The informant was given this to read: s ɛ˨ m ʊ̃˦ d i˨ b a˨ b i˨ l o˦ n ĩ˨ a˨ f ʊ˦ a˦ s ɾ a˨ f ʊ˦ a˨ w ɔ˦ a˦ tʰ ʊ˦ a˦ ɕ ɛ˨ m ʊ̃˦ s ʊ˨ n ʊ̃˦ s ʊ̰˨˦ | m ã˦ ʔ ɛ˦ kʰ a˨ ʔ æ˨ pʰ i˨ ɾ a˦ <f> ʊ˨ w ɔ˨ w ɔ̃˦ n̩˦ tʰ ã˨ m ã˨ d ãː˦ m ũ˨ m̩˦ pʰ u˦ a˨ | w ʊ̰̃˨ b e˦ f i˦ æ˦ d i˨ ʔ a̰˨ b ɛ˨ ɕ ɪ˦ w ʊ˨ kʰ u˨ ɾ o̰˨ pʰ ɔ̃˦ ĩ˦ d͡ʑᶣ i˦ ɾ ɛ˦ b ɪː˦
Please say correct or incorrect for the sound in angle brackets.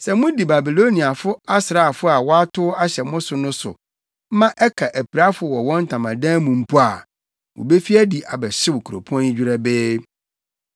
correct